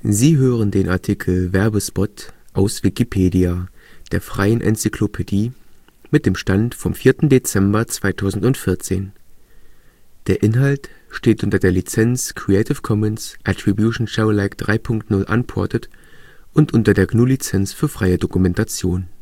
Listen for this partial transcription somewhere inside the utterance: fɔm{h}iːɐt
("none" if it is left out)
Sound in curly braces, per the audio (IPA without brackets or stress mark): f